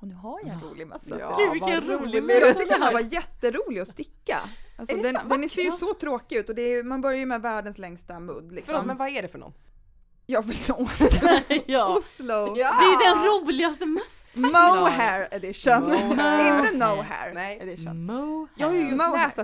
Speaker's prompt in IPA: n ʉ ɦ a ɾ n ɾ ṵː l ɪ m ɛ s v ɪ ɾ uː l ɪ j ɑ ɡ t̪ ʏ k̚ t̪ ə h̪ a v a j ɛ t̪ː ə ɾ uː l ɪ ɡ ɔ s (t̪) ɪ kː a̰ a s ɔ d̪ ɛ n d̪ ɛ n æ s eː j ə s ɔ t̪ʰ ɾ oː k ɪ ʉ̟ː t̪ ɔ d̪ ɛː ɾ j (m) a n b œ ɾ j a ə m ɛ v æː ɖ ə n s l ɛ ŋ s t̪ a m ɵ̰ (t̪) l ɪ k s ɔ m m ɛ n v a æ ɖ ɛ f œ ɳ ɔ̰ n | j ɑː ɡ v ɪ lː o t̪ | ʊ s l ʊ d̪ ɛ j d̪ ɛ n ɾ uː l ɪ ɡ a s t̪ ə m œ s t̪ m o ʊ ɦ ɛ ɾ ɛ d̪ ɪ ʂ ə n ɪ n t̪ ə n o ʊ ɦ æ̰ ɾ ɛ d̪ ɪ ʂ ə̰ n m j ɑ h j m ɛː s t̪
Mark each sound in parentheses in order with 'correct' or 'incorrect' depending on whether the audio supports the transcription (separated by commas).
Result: correct, correct, incorrect